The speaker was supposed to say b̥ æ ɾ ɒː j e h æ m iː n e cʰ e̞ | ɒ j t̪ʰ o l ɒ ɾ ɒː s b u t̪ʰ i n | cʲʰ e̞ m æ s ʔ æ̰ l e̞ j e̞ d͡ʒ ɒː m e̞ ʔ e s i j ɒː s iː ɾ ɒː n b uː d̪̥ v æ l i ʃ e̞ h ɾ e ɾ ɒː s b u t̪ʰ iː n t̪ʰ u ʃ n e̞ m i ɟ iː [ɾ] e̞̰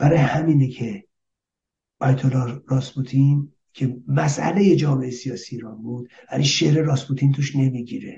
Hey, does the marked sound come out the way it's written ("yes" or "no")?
yes